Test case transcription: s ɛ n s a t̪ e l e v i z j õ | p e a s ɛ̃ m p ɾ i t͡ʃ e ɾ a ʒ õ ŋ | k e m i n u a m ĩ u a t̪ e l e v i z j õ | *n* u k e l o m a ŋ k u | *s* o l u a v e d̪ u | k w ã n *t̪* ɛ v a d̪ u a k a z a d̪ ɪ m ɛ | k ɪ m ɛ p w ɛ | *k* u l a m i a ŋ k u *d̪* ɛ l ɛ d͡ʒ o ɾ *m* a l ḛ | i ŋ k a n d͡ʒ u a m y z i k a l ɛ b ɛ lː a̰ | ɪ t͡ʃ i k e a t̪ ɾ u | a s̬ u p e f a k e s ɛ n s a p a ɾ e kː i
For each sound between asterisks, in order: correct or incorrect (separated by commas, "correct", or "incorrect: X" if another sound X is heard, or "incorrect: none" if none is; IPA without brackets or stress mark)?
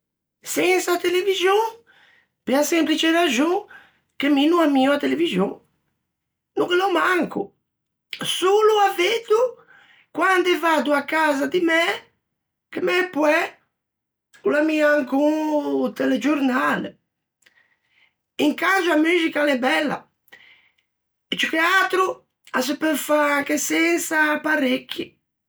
correct, correct, incorrect: d̪, correct, incorrect: t̪, incorrect: n